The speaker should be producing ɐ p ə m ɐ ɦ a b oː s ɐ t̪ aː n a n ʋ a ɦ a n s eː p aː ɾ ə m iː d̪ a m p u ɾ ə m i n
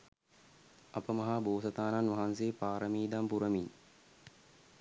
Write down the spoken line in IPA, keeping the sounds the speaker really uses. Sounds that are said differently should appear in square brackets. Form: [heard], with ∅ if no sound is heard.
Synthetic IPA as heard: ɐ p ə m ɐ ɦ a b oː s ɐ t̪ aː n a n ʋ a ɦ a n s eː p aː ɾ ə m iː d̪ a m p u ɾ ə m i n